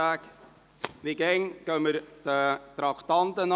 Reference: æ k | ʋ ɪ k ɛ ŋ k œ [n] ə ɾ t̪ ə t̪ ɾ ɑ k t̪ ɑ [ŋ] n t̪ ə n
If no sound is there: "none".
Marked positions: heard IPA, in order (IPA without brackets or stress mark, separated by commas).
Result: m, none